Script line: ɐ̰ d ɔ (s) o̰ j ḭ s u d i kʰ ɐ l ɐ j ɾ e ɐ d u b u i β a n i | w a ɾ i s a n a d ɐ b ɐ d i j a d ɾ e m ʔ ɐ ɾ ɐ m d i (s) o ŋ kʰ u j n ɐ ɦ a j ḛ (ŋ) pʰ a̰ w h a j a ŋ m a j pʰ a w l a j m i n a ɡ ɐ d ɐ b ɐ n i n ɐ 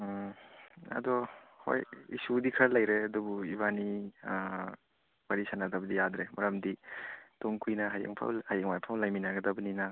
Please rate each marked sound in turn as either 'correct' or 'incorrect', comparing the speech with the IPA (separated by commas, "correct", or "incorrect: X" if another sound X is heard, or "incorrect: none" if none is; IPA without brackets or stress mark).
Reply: incorrect: h, incorrect: t, correct